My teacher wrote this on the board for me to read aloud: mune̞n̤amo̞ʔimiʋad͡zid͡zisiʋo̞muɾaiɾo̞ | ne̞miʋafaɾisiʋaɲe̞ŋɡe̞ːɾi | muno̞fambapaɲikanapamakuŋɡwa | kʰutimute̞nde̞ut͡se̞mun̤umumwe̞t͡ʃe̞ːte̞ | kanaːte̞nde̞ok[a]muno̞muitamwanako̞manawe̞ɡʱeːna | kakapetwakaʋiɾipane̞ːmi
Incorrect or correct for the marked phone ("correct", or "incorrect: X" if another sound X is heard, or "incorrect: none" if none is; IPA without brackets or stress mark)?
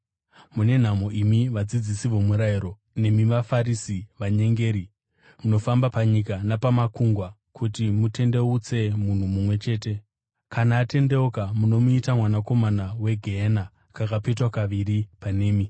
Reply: correct